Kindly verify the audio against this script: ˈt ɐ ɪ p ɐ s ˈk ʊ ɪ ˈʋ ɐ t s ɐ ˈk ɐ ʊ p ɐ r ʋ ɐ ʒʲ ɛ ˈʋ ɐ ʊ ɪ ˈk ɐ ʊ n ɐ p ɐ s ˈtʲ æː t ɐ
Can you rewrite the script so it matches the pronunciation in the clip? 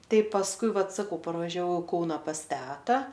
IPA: ˈt ɐ ɪ p ɐ s ˈk ʊ ɪ ˈʋ ɐ t s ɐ ˈk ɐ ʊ p ɐ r ʋ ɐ ʒʲ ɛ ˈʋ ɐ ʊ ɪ ˈk ɐ ʊ n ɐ p ɐ s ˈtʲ æː t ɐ